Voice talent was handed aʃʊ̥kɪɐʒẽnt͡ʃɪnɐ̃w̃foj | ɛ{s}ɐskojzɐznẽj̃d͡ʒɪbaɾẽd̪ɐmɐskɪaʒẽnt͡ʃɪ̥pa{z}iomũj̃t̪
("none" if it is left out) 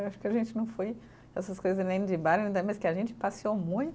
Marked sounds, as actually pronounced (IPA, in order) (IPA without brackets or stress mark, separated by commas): s, s